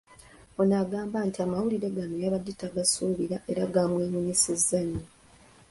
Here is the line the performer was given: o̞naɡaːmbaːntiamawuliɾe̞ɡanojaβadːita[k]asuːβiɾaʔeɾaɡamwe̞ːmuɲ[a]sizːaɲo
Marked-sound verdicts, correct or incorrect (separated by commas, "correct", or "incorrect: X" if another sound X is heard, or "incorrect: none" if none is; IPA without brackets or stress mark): incorrect: ɡ, incorrect: i